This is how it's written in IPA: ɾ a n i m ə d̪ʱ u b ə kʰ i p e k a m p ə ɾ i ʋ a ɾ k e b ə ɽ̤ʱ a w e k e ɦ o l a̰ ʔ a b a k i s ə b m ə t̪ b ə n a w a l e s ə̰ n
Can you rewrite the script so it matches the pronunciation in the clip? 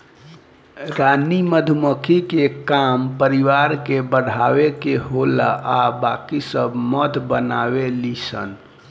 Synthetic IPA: ɾ a n i m ə d̪ʱ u m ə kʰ i k e k a m p ə ɾ i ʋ a ɾ k e b ə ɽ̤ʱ a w e k e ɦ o l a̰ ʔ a b a k i s ə b m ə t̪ b ə n a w e l i s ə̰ n